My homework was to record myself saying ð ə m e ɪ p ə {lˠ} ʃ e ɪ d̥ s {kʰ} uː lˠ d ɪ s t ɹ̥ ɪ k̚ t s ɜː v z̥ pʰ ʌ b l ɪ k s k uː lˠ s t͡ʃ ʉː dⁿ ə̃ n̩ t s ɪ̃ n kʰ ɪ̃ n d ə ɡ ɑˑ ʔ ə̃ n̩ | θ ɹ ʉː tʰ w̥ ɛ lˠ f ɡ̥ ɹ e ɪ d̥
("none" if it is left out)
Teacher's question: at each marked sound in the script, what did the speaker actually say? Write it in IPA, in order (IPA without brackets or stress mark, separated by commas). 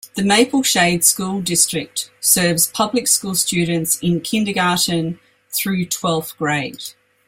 lˠ, k